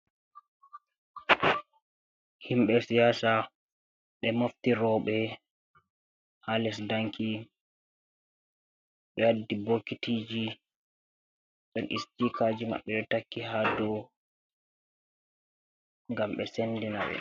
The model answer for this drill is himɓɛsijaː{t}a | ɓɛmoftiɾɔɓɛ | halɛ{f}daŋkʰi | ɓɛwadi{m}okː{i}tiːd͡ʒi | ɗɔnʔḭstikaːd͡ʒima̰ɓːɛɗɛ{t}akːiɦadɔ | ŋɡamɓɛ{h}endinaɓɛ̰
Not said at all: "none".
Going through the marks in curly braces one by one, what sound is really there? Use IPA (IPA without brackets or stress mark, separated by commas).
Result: s, s, b, i, t, s